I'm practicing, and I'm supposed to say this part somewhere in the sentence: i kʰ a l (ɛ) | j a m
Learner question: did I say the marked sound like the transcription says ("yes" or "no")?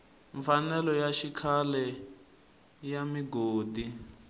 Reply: yes